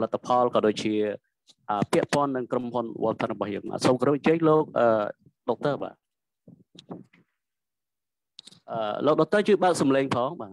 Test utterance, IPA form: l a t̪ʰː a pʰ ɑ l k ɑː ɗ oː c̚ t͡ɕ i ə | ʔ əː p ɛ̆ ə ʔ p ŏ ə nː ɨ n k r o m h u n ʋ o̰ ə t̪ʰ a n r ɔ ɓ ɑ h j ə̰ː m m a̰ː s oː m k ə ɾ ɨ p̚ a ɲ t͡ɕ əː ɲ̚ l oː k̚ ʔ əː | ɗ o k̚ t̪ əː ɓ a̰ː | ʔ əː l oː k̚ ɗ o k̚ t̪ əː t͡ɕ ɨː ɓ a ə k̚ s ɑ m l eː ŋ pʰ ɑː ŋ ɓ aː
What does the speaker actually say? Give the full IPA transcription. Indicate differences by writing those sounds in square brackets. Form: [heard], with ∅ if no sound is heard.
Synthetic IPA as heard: l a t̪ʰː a pʰ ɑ l k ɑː ɗ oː c̚ t͡ɕ i ə | ʔ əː p ɛ̆ ə ʔ p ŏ ə nː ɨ [ŋ] k r o m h u n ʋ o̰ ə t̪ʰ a n r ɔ ɓ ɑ h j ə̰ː [ŋ] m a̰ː s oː m k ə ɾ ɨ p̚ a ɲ t͡ɕ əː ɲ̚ l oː k̚ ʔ əː | ɗ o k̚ t̪ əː ɓ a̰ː | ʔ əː l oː k̚ ɗ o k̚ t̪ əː t͡ɕ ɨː ɓ a ə k̚ s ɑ m l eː ŋ pʰ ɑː ŋ ɓ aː